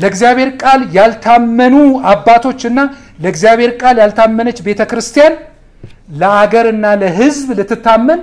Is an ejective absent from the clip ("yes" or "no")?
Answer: no